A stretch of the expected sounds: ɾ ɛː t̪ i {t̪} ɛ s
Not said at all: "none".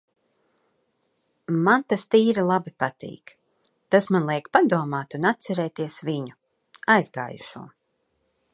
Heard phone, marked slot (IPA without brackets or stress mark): none